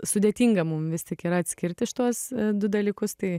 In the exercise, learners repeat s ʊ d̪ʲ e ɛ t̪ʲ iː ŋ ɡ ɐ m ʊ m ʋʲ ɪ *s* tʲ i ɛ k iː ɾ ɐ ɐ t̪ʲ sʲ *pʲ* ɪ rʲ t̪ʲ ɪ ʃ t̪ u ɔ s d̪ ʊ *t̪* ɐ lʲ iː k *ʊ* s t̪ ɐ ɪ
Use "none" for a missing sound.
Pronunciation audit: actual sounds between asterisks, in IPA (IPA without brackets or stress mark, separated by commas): s, kʲ, d̪, ʊ